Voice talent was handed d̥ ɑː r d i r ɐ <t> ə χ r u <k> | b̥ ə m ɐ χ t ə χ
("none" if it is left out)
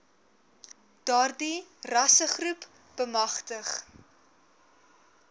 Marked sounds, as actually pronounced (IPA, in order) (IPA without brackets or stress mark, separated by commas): s, p